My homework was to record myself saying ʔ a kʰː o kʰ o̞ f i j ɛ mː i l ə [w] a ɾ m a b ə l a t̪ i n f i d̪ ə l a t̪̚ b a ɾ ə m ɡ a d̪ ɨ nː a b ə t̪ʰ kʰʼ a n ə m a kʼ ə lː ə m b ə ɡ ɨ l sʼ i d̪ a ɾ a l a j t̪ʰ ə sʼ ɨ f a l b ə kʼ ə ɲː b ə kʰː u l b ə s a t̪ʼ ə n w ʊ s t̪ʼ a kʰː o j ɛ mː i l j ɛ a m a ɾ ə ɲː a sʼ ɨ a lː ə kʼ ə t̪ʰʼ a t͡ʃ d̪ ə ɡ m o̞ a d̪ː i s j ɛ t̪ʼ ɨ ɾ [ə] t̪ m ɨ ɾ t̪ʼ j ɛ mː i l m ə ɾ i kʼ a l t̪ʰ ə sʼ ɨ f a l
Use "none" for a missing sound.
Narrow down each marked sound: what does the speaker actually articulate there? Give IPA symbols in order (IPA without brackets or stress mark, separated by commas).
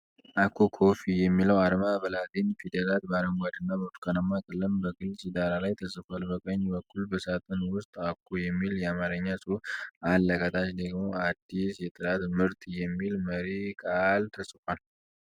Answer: w, a